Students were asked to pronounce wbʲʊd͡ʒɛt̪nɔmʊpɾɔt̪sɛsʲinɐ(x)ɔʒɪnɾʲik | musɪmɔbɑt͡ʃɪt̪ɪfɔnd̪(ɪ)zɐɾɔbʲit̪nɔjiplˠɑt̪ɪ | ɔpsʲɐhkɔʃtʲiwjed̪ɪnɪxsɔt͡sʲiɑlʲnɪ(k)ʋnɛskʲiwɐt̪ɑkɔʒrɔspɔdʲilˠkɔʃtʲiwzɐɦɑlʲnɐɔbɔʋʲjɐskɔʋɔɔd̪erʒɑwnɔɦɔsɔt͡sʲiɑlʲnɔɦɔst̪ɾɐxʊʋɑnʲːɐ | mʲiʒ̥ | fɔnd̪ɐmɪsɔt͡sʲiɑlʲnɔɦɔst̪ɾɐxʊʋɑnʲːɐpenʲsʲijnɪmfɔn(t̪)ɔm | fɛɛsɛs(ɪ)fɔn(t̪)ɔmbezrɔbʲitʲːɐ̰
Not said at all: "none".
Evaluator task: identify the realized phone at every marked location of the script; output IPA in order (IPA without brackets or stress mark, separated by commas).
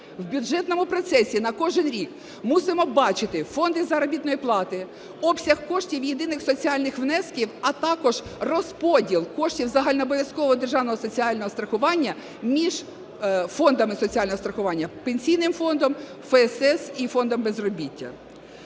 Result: k, ɪ, x, d̪, i, d̪